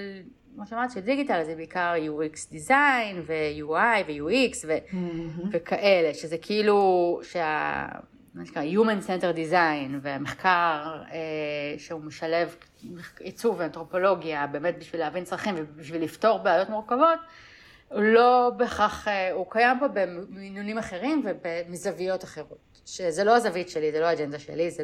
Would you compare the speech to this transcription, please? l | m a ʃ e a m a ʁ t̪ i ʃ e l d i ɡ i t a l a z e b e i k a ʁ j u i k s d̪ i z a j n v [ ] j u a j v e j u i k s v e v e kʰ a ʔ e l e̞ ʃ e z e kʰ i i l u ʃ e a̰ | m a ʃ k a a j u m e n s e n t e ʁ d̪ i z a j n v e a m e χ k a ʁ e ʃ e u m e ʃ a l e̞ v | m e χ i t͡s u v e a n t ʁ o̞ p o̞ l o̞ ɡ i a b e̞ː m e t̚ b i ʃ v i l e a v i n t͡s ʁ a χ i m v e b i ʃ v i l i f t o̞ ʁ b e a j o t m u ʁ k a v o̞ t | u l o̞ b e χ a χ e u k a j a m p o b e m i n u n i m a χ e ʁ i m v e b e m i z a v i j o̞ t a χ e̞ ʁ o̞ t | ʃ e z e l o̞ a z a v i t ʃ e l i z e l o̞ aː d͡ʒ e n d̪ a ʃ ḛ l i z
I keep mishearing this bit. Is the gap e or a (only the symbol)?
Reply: e